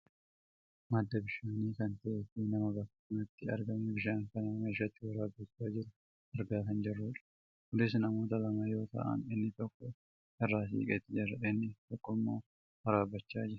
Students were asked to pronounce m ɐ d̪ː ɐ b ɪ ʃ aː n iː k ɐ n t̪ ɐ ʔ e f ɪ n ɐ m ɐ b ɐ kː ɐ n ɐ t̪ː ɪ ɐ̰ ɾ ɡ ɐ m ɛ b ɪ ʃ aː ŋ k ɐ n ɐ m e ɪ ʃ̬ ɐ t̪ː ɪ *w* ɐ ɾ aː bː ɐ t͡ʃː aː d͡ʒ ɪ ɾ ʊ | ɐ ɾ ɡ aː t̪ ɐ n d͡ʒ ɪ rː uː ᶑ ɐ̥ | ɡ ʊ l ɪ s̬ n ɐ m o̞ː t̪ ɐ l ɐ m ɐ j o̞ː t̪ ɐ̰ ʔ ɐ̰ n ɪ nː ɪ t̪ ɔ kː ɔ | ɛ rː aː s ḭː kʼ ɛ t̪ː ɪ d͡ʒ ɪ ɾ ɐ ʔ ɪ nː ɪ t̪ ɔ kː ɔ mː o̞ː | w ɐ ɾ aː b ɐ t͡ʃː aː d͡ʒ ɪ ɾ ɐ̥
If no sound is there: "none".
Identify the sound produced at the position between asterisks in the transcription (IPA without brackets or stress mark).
w